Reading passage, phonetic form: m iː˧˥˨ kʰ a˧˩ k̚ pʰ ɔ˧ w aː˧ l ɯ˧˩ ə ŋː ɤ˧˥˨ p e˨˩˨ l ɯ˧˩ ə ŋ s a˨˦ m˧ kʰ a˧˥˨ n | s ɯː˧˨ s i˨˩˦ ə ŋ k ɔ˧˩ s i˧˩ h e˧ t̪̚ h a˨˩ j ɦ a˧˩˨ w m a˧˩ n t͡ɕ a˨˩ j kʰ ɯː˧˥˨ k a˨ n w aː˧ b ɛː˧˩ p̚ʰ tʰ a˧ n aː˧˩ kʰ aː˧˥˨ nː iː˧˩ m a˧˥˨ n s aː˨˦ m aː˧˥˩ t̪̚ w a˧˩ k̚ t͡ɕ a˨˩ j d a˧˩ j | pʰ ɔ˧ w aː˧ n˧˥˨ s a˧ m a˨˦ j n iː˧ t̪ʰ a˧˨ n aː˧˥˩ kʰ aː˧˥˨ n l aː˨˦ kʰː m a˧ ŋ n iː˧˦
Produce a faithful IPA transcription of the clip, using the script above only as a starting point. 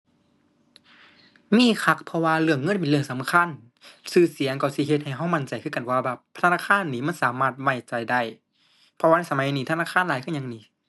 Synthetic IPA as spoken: m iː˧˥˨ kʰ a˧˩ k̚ pʰ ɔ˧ w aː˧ l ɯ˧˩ ə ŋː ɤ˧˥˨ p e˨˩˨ l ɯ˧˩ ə ŋ s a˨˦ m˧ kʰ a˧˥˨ n | s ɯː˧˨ s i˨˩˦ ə ŋ k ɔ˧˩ s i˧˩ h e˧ t̪̚ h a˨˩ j ɦ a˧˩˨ w m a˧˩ n t͡ɕ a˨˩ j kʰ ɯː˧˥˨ k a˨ n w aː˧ b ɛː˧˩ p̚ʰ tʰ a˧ n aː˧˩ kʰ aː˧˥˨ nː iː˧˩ m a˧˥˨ n s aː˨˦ m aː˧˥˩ t̪̚ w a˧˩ t͡ɕ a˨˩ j d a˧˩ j | pʰ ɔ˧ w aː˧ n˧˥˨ s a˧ m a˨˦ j n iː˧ t̪ʰ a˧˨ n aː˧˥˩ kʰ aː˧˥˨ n l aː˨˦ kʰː ɲ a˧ ŋ n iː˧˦